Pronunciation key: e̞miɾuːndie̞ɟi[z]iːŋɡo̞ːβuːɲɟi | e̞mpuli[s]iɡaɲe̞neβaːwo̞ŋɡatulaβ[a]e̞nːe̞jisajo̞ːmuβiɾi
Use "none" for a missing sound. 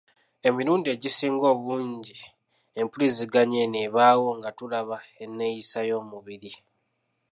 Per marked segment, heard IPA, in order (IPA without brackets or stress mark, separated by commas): s, z, a